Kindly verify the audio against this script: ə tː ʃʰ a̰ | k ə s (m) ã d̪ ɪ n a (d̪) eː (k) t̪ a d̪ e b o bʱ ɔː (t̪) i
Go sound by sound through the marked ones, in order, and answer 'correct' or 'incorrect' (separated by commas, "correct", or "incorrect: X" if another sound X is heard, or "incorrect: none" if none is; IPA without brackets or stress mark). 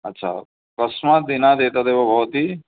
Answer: correct, correct, incorrect: none, correct